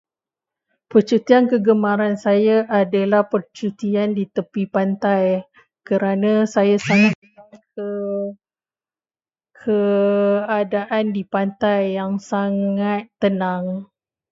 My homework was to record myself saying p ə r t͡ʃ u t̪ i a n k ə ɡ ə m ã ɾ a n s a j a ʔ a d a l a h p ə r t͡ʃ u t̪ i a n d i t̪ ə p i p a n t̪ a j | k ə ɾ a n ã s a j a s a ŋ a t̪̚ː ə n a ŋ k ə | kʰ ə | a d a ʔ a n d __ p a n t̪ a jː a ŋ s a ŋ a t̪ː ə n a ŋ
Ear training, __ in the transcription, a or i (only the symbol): i